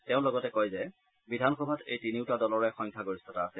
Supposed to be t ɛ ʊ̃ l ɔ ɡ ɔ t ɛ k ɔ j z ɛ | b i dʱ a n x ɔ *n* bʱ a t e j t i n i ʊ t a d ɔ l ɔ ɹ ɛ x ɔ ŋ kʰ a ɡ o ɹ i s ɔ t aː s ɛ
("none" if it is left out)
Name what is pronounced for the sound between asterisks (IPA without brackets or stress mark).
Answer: none